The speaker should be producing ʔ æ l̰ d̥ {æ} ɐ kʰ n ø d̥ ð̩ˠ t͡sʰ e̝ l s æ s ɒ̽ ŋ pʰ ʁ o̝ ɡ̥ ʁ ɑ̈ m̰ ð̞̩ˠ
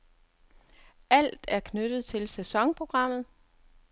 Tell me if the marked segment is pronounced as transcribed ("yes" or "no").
yes